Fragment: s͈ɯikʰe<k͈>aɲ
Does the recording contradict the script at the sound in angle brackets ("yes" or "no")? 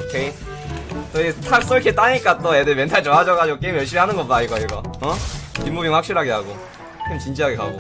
yes